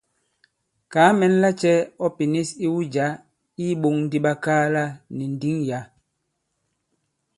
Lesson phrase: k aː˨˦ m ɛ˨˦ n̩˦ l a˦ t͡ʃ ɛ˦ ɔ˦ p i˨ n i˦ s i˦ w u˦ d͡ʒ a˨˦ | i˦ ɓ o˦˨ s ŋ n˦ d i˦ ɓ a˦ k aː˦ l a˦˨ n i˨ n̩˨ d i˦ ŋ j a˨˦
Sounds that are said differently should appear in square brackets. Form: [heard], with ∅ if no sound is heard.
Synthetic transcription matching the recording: k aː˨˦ m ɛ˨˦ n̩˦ l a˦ t͡ʃ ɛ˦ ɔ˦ p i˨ n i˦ s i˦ w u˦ d͡ʒ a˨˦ | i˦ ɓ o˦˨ [∅] ŋ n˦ d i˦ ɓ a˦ k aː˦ l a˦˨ n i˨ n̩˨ d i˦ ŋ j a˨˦

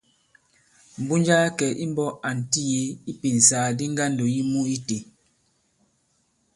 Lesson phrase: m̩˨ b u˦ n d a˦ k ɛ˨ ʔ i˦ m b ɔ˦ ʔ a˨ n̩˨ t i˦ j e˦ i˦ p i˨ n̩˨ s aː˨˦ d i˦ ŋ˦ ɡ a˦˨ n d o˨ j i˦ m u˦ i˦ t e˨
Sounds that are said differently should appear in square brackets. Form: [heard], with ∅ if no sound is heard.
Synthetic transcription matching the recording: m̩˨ b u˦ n [d͡ʒ] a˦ k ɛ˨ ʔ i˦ m b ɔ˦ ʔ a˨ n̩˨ t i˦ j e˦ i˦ p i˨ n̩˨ s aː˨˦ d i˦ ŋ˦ ɡ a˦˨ n d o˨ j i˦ m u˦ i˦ t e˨

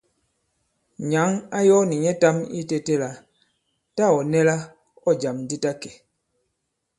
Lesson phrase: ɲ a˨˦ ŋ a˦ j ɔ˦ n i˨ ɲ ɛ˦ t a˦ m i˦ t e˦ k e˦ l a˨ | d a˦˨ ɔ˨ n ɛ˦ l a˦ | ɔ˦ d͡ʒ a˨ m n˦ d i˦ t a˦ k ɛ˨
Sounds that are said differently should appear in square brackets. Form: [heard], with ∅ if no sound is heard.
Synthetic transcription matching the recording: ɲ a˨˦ ŋ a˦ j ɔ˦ n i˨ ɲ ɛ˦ t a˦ m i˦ t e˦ [t] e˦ l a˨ | [t] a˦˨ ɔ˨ n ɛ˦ l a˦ | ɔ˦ d͡ʒ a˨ m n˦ d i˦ t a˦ k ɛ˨

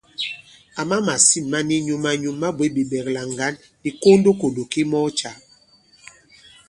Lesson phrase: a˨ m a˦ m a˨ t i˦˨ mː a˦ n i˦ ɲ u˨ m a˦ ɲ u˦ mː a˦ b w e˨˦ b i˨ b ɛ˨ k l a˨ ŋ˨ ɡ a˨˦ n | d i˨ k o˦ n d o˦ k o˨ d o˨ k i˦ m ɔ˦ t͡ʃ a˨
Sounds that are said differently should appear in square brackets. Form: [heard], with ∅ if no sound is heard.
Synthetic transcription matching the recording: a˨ m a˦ m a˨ [s] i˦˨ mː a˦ n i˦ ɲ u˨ m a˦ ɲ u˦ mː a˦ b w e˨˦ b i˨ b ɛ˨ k l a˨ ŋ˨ ɡ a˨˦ n | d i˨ k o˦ n d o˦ k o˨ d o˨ k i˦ m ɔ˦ t͡ʃ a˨

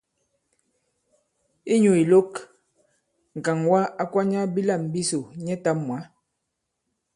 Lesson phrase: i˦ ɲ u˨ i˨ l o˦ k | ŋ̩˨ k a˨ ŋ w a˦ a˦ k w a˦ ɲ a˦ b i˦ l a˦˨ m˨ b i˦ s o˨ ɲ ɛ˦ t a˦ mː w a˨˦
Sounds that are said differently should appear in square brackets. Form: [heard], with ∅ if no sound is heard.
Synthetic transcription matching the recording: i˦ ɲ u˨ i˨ l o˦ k | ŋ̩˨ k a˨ ŋ w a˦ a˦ k w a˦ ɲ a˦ b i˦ l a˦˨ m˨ b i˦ s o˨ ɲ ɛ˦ t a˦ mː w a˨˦

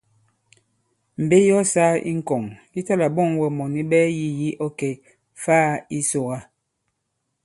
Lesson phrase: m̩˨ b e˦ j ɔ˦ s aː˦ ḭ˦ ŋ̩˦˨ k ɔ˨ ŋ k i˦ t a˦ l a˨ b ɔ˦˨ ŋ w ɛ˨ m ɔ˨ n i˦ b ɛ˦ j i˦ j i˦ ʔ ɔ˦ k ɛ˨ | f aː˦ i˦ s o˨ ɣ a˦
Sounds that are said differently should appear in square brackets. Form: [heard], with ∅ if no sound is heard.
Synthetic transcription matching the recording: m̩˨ b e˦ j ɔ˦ s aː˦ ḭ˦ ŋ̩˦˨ k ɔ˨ ŋ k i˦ t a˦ l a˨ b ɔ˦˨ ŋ w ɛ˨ m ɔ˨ n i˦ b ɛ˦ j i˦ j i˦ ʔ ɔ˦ k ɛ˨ | f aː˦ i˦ s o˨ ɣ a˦

